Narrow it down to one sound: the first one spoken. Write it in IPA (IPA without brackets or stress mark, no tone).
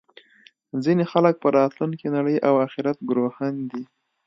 z